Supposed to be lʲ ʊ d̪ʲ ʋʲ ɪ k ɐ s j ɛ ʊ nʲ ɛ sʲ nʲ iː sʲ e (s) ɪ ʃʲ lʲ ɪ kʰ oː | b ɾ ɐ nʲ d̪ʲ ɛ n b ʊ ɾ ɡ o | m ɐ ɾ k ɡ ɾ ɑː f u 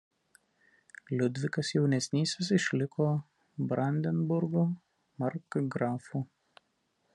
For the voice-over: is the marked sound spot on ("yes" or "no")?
yes